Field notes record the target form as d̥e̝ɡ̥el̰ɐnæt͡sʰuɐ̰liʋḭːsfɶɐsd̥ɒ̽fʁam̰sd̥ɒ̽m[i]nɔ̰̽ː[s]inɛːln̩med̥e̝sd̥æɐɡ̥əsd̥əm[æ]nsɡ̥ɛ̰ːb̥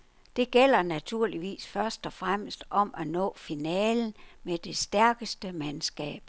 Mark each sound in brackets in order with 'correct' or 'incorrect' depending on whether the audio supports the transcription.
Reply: incorrect, incorrect, correct

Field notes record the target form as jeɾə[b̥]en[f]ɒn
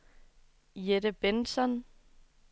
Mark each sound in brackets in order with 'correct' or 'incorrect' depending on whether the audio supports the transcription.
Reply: correct, incorrect

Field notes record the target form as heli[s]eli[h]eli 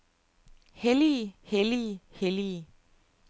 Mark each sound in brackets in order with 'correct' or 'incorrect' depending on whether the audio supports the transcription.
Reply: incorrect, correct

